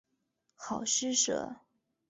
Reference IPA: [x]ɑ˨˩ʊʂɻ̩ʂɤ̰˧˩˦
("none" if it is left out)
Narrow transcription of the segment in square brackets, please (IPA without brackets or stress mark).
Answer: x